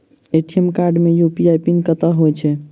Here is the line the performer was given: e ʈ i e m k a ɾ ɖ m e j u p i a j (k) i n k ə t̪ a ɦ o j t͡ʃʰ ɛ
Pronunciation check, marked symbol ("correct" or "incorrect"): incorrect